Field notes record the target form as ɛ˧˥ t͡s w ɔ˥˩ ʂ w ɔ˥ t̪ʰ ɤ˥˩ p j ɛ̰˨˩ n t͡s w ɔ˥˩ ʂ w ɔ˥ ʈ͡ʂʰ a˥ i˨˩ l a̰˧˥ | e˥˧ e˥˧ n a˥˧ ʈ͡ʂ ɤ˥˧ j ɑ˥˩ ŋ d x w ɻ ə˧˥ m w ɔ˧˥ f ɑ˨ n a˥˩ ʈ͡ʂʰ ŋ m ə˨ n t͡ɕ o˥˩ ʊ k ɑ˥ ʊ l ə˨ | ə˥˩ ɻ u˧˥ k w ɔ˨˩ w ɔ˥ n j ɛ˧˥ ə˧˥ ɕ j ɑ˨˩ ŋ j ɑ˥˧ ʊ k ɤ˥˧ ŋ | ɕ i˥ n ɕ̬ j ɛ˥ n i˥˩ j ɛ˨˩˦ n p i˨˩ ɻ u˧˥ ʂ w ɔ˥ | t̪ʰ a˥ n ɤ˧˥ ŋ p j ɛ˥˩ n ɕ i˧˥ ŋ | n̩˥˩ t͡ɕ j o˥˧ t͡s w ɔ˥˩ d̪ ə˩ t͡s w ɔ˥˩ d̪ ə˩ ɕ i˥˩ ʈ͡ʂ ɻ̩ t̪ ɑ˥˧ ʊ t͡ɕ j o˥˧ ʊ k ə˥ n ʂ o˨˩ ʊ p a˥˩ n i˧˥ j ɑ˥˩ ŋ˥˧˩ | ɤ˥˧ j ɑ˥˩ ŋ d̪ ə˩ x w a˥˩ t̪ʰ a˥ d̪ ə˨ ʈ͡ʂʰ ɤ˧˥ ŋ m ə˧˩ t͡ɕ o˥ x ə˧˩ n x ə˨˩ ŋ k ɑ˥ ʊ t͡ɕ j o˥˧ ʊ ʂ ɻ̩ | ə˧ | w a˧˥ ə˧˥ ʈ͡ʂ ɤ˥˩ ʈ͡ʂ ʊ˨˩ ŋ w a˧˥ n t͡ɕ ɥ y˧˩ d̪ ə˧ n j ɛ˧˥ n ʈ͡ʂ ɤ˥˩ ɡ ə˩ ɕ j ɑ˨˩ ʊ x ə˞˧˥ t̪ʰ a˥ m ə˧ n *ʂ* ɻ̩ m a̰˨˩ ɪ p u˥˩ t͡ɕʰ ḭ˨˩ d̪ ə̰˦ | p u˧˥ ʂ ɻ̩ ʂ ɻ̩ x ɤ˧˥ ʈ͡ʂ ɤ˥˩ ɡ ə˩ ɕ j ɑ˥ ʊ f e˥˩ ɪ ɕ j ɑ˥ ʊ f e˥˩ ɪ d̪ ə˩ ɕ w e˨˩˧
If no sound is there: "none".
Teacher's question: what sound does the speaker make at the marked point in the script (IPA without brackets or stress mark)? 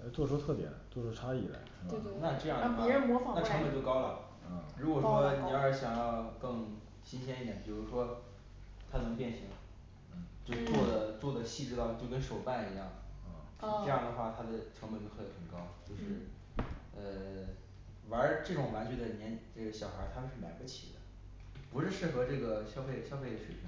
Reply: ʂ